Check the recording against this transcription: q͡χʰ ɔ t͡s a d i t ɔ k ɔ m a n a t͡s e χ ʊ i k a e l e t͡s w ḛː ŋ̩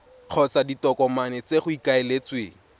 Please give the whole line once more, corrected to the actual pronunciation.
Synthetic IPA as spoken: q͡χʰ ɔ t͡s a d i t ɔ k ɔ m a n ɛ t͡s e χ ʊ i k a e l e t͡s w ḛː ŋ̩